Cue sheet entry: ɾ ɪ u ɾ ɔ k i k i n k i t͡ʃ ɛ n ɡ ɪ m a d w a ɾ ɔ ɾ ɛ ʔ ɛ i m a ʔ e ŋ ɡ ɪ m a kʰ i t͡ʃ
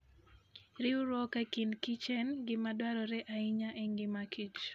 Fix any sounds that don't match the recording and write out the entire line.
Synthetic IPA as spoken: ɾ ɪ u ɾ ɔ k a k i n k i t͡ʃ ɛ n ɡ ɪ m a d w a ɾ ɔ ɾ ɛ ʔ a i ɲ a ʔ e ŋ ɡ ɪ m a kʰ i t͡ʃ